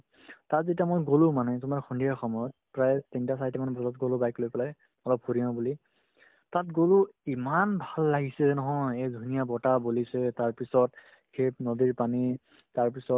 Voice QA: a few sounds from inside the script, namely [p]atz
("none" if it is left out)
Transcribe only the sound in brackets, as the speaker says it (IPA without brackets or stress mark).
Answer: t